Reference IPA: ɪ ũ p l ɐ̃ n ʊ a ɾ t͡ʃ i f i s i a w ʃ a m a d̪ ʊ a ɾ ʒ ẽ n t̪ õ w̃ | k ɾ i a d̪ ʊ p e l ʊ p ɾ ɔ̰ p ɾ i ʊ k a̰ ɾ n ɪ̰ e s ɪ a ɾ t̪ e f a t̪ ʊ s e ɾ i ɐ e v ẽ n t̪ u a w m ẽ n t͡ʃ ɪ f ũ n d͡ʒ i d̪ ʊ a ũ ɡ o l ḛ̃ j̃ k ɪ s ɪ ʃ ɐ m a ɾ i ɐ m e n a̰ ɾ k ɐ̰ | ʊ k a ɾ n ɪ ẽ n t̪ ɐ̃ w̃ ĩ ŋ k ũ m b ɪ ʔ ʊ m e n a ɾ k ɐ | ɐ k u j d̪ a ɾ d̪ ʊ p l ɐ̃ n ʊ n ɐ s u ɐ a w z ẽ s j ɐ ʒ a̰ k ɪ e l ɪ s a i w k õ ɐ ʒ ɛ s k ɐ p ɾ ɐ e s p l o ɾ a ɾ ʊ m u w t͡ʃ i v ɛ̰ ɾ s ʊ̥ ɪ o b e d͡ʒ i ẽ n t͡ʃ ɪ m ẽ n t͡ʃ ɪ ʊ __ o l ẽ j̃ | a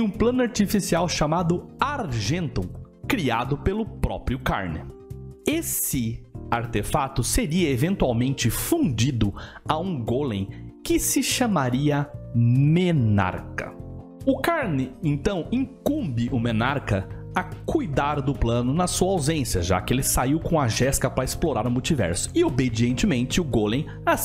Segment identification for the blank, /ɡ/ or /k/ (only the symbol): ɡ